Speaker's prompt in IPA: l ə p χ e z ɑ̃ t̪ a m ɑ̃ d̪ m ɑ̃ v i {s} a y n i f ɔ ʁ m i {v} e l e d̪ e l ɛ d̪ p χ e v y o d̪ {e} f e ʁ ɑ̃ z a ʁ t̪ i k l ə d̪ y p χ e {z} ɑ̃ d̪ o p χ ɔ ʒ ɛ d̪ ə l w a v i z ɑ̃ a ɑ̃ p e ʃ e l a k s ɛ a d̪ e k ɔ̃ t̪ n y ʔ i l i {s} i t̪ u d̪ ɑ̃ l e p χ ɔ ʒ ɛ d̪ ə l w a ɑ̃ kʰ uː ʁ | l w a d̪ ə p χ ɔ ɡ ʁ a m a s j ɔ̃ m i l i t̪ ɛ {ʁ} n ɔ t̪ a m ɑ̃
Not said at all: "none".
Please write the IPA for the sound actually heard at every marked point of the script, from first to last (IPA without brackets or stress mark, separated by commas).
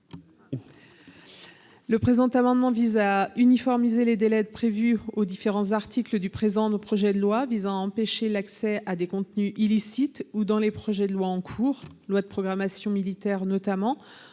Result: z, z, i, z, s, ʁ